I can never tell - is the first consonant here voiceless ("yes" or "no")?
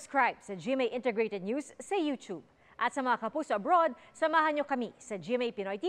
yes